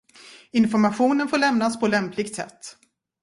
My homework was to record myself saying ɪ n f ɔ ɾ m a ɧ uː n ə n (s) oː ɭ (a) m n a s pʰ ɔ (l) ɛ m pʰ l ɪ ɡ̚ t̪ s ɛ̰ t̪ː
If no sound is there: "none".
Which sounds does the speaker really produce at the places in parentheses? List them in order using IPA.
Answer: f, ɛ, l

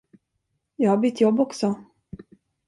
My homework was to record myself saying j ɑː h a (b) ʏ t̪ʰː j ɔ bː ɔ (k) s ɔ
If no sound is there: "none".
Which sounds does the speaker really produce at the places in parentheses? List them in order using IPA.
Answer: b, k

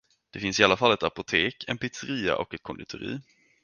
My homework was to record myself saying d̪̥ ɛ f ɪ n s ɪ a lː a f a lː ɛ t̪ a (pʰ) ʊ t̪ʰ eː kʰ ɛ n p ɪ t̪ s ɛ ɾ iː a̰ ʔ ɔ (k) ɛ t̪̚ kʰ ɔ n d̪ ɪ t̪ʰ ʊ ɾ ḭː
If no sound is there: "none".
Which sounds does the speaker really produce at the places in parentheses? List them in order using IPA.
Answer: p, k

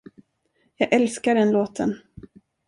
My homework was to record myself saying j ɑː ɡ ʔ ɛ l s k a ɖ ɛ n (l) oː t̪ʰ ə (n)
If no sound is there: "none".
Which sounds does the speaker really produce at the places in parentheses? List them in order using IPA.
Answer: l, n

